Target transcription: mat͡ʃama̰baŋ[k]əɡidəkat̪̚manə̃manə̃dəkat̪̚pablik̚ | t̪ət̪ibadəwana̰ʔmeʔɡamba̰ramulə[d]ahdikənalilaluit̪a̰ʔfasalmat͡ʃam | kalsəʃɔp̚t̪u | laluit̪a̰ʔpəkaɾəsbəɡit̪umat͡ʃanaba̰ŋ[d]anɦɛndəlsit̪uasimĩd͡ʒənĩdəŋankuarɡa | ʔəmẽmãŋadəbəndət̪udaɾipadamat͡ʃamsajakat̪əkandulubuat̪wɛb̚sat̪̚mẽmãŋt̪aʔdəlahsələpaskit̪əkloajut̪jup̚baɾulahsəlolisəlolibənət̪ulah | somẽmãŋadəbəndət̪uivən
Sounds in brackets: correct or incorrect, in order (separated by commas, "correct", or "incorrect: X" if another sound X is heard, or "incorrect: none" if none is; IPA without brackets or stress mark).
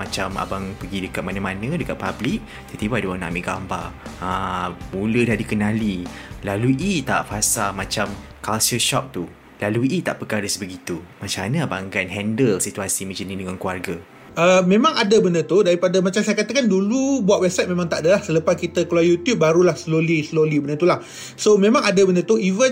incorrect: p, correct, incorrect: ɡ